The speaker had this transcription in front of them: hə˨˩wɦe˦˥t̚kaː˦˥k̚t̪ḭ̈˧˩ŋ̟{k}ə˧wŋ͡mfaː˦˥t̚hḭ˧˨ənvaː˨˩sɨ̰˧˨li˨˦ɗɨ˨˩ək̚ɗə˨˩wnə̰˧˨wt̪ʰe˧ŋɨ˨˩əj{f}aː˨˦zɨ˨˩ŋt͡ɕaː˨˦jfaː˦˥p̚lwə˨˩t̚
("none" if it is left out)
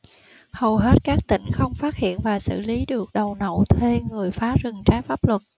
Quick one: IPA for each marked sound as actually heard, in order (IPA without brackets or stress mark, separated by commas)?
x, f